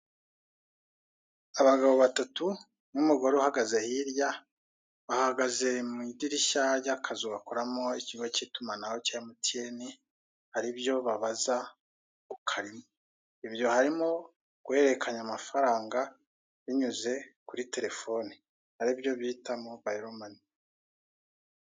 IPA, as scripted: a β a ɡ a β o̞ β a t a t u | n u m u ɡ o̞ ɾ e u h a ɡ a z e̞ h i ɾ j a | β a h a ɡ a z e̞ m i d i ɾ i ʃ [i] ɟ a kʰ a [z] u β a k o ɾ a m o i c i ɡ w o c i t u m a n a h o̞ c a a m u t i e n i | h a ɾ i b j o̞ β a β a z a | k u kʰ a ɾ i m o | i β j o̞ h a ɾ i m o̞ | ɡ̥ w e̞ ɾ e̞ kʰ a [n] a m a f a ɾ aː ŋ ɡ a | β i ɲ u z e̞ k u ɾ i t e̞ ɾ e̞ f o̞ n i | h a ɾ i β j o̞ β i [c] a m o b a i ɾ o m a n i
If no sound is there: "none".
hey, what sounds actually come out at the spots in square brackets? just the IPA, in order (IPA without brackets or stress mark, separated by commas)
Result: a, z, ɲ, t